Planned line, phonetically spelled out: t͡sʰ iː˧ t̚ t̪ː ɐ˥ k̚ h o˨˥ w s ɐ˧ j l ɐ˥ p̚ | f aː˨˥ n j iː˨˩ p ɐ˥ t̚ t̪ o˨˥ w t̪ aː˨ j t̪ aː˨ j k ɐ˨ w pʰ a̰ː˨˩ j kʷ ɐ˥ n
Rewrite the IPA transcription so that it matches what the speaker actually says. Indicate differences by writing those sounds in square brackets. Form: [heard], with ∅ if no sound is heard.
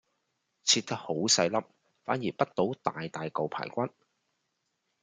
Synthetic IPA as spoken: t͡sʰ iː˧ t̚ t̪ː ɐ˥ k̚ h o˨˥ w s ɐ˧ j l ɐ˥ p̚ | f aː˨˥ n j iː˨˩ p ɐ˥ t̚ t̪ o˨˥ w t̪ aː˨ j t̪ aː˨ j k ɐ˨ w pʰ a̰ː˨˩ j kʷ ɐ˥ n